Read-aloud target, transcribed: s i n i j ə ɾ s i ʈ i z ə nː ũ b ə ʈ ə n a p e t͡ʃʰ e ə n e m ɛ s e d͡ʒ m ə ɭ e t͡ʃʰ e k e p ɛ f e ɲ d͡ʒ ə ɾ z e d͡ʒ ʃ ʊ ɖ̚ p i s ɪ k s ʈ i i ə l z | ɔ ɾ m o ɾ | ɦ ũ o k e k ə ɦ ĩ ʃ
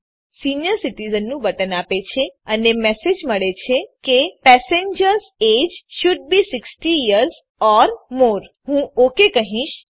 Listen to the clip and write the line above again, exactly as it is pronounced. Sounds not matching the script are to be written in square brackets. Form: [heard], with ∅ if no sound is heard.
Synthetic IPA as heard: s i n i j ə ɾ s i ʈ i z ə nː ũ b ə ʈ ə n a p e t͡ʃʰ e ə n e m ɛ s e d͡ʒ m ə ɭ e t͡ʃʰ e k e p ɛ [s] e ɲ d͡ʒ ə ɾ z e d͡ʒ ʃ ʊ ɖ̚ [b] i s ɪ k s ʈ i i ə [ɾ] z | ɔ ɾ m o ɾ | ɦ ũ o k e k ə ɦ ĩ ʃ